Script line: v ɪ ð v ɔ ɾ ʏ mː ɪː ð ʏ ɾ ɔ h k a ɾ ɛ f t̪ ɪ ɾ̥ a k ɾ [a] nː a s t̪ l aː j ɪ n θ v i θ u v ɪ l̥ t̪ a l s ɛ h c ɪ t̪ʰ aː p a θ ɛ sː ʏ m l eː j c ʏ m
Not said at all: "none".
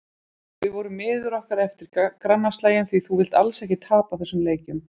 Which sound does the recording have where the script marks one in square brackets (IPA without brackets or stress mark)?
a